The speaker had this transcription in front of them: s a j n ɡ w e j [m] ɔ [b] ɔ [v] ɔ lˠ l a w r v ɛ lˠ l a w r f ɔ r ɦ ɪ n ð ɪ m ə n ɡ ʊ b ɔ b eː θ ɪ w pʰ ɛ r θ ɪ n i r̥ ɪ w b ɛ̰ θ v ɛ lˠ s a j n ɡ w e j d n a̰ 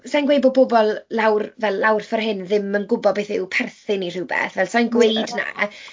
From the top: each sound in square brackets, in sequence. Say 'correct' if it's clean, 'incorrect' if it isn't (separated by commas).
incorrect, correct, incorrect